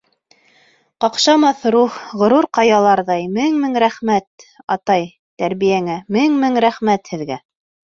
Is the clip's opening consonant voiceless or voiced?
voiceless